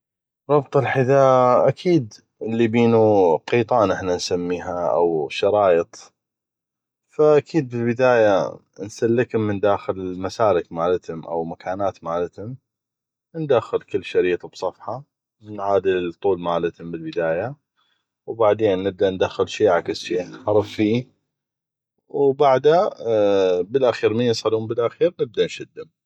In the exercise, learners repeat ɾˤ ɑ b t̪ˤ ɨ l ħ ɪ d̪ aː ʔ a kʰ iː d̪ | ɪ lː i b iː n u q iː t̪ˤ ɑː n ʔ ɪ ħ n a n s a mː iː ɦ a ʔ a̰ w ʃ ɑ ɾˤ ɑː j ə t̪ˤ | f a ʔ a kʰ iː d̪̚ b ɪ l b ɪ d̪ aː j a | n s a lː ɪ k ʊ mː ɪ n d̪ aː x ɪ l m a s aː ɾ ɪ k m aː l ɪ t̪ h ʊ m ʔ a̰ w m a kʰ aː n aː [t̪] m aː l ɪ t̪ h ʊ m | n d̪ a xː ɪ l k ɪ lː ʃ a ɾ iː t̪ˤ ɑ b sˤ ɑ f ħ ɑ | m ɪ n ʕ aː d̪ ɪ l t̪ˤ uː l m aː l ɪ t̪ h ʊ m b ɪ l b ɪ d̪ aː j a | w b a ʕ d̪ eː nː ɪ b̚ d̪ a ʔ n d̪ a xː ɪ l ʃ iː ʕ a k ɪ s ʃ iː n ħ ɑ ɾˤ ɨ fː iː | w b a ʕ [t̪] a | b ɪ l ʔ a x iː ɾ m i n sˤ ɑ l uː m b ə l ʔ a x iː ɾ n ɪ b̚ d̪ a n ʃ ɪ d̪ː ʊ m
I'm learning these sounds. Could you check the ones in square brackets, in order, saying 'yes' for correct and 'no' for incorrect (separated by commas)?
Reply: yes, no